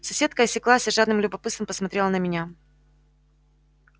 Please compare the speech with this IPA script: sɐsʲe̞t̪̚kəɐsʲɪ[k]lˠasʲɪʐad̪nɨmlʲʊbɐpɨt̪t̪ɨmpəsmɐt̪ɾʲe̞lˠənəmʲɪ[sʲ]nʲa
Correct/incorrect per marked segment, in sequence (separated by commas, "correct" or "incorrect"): correct, incorrect